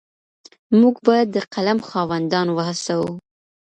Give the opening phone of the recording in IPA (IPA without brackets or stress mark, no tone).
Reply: m